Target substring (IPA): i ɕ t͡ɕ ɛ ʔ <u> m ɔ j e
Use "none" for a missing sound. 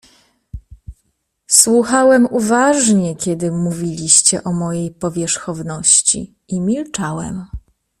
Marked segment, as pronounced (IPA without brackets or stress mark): ɔ